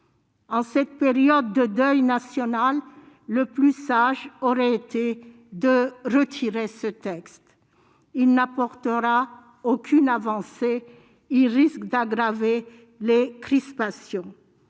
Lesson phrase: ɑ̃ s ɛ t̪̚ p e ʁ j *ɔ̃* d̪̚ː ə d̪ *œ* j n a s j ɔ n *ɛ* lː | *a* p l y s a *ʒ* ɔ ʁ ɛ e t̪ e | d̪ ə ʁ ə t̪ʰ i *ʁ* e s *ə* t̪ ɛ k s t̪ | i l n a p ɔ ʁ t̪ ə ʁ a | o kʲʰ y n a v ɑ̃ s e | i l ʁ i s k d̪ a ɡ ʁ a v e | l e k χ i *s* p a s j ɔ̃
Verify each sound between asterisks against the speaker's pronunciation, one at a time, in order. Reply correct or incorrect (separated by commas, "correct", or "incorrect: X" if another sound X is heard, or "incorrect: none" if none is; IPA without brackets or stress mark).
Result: incorrect: ɔ, correct, incorrect: a, incorrect: ə, correct, correct, correct, correct